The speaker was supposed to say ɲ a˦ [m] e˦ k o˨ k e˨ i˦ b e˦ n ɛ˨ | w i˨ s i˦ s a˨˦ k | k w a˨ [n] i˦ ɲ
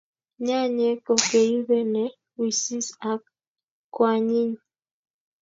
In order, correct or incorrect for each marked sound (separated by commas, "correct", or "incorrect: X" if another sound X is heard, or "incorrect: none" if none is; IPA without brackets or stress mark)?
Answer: incorrect: ɲ, incorrect: ɲ